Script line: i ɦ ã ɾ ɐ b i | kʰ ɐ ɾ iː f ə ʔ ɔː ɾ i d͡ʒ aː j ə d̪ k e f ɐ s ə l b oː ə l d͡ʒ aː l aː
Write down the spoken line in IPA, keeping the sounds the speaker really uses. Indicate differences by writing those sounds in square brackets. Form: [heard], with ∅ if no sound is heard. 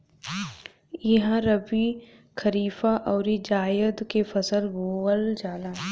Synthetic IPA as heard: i ɦ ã ɾ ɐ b i | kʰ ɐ ɾ iː f [a] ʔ ɔː ɾ i d͡ʒ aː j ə d̪ k e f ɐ s ə l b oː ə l d͡ʒ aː l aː